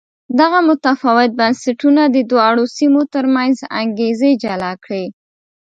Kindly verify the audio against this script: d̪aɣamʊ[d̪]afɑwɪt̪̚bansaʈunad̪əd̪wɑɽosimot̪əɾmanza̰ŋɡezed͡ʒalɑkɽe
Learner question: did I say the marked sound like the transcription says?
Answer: no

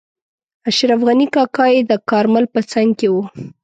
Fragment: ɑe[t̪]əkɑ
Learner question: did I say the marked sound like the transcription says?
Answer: no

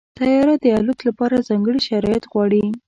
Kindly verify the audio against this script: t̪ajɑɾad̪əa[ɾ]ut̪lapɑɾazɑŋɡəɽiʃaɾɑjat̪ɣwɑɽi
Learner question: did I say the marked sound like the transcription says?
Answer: no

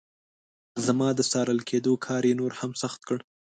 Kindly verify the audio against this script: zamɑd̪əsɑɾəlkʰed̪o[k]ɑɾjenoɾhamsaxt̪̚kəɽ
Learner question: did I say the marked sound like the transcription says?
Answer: no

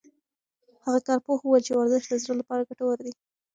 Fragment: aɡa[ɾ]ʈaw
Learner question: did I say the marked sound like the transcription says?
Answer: no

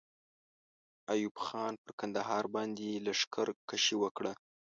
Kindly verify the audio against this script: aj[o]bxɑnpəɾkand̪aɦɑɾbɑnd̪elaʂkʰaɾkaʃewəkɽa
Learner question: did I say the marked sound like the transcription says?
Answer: no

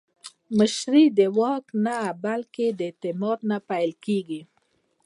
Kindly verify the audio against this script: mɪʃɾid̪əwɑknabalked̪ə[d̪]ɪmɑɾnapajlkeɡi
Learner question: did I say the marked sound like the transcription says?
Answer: no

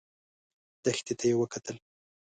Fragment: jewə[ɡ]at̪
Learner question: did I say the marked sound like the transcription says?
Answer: no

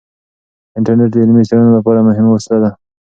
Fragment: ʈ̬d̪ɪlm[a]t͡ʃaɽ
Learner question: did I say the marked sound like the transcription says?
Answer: no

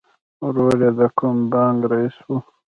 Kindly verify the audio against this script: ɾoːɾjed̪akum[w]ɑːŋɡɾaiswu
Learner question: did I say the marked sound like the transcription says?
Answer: no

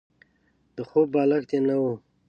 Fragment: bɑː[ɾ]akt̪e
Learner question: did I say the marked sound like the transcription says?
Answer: no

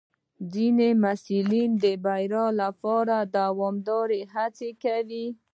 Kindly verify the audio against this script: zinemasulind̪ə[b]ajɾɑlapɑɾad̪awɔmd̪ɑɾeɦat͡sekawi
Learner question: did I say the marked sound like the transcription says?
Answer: yes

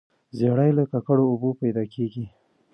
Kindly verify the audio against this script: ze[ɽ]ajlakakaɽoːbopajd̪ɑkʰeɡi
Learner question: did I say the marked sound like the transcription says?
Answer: yes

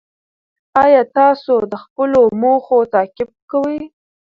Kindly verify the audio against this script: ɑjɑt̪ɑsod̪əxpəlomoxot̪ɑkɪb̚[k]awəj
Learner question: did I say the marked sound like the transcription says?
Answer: yes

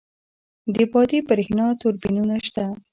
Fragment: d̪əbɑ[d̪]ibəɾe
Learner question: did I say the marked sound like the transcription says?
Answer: yes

